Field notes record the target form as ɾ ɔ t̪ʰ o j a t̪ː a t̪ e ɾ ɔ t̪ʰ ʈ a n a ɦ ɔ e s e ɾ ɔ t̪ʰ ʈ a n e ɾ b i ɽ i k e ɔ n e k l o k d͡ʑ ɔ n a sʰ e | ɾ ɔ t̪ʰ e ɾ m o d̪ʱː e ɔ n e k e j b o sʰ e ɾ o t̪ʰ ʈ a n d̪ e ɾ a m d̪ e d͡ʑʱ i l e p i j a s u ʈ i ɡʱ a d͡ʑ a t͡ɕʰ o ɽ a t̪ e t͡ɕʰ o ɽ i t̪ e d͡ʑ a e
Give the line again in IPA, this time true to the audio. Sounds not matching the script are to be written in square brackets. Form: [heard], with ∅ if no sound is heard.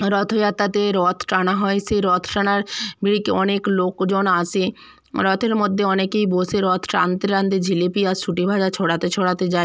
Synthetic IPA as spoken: ɾ ɔ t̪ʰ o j a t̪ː a t̪ e ɾ ɔ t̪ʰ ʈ a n a ɦ ɔ e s e ɾ ɔ t̪ʰ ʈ a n [a] ɾ b i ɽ i k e ɔ n e k l o k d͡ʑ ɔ n a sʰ e | ɾ ɔ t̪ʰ e ɾ m o d̪ʱː e ɔ n e k e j b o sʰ e ɾ [ɔ] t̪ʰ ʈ a n [t̪] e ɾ a [n] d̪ e d͡ʑʱ i l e p i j a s u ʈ i [bʱ] a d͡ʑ a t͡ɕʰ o ɽ a t̪ e t͡ɕʰ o ɽ [a] t̪ e d͡ʑ a e